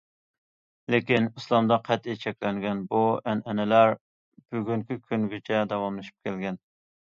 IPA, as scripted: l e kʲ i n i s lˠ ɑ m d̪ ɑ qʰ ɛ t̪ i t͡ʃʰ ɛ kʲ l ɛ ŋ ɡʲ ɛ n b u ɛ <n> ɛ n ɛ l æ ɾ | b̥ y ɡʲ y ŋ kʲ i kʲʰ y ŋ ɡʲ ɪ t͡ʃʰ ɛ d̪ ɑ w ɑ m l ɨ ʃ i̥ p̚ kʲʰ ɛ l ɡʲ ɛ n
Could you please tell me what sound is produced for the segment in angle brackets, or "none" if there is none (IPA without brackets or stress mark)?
n